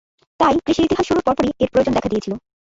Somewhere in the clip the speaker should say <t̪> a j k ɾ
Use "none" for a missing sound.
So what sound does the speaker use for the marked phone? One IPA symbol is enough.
t̪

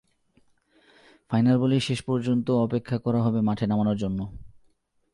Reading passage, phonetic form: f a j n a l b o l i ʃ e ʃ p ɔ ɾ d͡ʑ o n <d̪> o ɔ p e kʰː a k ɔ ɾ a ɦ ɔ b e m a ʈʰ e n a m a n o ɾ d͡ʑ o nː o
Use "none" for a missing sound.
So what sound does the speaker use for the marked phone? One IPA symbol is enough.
t̪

